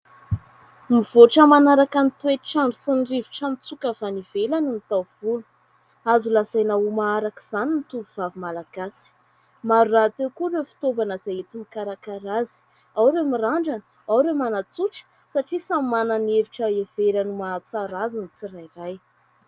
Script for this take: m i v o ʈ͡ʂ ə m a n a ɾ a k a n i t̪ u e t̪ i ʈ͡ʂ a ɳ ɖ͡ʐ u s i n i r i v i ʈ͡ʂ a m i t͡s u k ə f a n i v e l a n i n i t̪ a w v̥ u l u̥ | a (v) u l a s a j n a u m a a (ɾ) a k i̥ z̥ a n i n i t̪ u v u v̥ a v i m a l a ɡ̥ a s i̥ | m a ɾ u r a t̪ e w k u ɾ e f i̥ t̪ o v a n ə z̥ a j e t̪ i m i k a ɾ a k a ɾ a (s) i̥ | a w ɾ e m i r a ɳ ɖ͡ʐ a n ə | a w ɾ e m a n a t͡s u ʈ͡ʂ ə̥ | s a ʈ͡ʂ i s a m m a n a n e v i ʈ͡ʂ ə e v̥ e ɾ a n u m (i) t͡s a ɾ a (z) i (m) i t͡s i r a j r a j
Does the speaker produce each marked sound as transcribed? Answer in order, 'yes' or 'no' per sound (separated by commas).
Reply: no, yes, no, no, yes, no